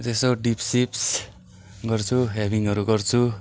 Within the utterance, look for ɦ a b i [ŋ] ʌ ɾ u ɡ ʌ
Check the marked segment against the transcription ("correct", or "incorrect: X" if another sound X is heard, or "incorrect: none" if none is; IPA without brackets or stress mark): correct